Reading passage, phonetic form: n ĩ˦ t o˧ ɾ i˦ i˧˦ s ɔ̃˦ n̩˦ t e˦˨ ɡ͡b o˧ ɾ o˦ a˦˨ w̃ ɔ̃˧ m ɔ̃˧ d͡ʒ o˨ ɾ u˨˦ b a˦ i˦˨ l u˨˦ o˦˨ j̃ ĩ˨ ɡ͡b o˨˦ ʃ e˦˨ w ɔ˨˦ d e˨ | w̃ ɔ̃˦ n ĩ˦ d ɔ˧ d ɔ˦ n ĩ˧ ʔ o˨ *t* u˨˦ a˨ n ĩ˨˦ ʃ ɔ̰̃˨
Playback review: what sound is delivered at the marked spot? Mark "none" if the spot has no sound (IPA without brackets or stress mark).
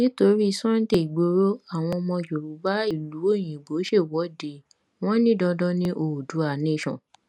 d